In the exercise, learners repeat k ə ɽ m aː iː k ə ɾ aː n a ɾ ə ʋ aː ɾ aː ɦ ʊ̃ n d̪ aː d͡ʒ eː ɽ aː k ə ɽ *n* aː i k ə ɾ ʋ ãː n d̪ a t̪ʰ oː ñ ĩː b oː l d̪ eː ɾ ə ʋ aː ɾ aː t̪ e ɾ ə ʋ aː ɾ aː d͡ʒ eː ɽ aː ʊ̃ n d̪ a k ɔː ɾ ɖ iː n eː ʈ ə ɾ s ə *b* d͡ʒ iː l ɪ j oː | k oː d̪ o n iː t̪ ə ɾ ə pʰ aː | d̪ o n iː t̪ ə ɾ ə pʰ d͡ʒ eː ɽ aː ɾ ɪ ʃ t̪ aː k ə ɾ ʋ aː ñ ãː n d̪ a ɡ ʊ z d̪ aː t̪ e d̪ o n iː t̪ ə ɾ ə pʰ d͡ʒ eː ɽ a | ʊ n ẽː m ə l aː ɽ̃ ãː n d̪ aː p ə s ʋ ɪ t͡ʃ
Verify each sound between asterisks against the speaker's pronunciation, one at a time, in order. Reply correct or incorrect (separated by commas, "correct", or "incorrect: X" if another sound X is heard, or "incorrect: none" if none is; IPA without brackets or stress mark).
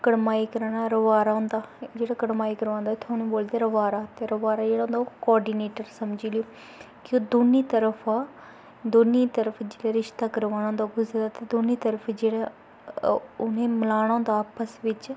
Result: incorrect: m, incorrect: m